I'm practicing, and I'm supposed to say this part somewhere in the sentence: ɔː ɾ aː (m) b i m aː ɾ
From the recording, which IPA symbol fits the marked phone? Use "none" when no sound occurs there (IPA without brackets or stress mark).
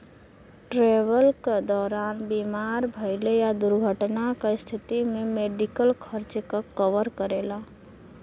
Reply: n